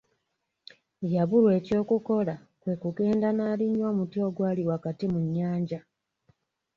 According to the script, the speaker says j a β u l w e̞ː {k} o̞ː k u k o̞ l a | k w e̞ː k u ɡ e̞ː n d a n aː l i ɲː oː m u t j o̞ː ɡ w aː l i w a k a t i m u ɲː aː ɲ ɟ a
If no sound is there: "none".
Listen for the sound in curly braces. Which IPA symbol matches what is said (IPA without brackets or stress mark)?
c